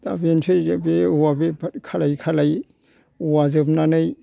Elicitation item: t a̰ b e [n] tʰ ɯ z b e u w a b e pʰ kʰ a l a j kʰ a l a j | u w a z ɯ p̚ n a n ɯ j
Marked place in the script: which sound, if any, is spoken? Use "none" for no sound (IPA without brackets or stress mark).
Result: n